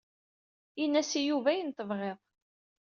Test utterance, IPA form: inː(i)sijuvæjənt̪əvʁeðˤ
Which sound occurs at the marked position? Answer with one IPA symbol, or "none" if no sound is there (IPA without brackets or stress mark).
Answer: æ